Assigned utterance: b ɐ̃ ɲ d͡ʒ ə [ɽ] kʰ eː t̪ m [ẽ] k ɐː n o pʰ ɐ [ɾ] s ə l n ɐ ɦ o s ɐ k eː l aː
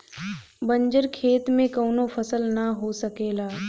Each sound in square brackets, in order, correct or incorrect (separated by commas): incorrect, correct, incorrect